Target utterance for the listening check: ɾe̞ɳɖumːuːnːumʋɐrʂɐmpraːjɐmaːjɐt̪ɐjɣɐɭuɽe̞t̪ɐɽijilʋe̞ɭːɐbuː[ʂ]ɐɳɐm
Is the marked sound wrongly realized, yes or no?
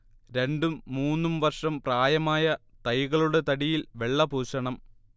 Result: yes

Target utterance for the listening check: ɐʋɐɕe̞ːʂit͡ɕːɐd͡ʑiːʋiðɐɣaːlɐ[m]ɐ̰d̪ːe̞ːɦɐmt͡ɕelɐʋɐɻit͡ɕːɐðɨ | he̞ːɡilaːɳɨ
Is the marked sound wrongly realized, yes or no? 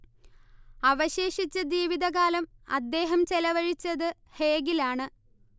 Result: no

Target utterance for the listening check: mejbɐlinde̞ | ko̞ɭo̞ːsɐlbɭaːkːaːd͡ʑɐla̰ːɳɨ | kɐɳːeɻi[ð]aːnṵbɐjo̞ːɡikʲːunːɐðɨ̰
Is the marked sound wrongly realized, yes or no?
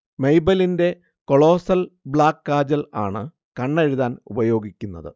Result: no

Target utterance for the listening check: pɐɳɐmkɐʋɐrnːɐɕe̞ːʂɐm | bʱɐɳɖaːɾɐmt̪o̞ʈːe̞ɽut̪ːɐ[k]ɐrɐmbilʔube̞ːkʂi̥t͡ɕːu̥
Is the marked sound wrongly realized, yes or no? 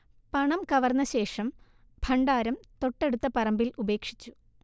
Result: yes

